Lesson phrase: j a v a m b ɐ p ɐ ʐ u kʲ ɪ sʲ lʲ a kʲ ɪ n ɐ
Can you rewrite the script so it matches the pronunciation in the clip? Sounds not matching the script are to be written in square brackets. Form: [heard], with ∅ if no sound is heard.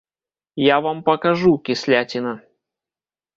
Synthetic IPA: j a v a m [p] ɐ [k] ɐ ʐ u kʲ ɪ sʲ lʲ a [tʲ] ɪ n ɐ